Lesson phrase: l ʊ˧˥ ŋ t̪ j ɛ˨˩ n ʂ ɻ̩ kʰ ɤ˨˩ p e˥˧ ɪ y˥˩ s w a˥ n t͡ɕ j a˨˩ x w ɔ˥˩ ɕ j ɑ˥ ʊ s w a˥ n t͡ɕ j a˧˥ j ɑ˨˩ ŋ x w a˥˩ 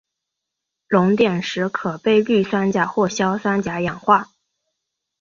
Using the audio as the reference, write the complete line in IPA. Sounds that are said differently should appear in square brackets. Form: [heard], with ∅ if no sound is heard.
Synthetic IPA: l ʊ˧˥ ŋ t̪ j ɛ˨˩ n ʂ ɻ̩ kʰ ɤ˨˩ p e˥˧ ɪ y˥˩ s w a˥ n t͡ɕ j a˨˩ x w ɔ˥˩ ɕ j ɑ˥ ʊ s w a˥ n t͡ɕ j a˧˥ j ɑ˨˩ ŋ x w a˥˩